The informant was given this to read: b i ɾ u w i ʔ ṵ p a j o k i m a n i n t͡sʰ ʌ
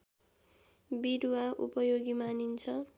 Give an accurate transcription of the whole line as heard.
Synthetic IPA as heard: b i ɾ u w a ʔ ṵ p ʌ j o ɡ i m a n i n t͡sʰ ʌ